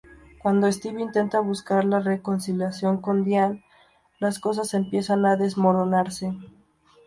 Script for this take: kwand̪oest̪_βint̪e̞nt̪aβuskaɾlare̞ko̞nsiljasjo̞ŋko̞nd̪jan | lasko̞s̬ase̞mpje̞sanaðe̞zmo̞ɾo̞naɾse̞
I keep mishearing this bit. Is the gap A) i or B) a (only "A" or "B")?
A